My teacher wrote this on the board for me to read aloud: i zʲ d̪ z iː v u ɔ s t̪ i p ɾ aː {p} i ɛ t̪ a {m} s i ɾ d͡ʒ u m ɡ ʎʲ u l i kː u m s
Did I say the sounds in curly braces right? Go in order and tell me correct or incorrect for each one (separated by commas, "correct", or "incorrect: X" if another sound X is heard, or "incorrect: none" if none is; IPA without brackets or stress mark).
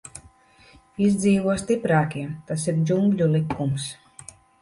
incorrect: k, incorrect: none